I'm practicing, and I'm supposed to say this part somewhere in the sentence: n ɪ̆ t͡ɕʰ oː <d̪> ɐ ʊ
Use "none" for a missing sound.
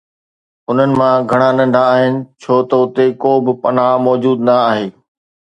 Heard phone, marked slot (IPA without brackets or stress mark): t̪